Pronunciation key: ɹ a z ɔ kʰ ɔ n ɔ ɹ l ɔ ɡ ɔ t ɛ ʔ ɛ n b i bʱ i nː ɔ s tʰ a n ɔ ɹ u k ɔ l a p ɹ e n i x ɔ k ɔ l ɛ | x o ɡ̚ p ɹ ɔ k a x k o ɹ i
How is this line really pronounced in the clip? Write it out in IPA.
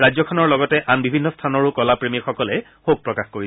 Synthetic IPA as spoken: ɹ a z ɔ kʰ ɔ n ɔ ɹ l ɔ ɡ ɔ t ɛ ʔ a n b i bʱ i nː ɔ s tʰ a n ɔ ɹ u k ɔ l a p ɹ e m i x ɔ k ɔ l ɛ | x o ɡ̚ p ɹ ɔ k a x k o ɹ i